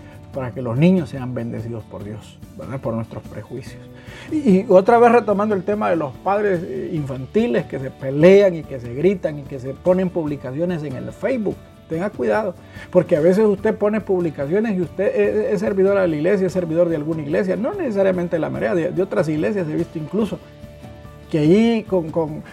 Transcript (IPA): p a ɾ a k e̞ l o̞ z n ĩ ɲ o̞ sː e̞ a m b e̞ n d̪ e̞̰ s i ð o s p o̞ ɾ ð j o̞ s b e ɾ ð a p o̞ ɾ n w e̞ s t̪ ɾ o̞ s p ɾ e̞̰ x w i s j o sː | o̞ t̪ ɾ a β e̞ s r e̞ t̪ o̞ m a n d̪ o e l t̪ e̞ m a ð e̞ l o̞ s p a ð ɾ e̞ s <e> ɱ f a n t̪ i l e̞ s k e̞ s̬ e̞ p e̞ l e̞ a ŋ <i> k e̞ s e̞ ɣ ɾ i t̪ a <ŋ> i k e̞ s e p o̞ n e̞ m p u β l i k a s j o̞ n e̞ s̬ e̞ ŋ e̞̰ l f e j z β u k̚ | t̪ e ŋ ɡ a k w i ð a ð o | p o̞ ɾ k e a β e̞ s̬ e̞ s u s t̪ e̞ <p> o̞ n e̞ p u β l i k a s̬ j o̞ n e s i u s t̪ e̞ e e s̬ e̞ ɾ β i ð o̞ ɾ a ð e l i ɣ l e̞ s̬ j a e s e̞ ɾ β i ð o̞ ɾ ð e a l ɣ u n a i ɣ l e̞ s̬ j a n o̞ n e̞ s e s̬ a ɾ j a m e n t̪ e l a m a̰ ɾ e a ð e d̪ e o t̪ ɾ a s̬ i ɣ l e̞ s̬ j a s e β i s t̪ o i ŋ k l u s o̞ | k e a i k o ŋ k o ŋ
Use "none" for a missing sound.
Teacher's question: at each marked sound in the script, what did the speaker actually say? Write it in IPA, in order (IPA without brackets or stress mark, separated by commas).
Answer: i, i, ŋ, p